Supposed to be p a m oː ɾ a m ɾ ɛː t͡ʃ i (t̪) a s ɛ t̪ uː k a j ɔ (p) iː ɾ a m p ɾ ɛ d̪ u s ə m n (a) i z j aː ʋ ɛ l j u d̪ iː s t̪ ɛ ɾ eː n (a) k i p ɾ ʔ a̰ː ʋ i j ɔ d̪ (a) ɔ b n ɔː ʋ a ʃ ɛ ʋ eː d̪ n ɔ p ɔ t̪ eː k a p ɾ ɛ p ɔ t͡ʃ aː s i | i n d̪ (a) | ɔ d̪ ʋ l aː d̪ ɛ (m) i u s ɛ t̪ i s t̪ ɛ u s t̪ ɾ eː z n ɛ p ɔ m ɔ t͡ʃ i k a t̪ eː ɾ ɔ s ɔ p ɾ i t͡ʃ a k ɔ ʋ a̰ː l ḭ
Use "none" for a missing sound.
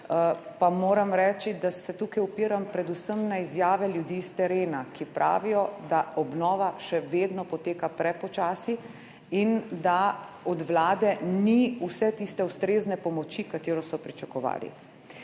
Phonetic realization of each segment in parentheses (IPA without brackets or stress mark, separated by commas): d̪, p, a, a, a, a, n